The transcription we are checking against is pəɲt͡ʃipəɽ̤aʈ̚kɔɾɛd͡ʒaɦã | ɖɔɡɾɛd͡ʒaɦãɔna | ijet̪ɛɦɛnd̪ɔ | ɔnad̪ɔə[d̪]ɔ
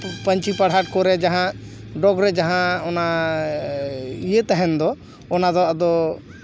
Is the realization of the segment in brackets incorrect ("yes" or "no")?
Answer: no